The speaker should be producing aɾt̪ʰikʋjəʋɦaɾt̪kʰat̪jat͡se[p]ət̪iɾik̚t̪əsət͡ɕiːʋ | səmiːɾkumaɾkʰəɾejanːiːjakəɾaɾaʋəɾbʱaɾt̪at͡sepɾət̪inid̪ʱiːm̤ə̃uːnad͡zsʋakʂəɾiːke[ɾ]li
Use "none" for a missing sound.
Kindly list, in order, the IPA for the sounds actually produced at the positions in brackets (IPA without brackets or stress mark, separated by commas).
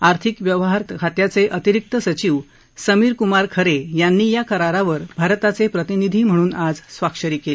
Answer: ʔ, none